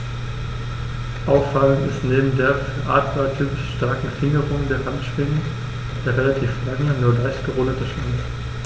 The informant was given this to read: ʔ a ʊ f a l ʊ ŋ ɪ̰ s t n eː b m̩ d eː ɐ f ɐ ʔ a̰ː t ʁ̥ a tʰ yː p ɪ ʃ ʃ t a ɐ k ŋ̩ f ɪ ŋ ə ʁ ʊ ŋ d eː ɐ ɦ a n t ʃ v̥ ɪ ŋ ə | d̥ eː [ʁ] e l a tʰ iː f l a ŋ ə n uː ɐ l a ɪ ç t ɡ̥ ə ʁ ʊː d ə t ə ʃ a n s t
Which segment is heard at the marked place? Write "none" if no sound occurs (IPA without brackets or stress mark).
ʁ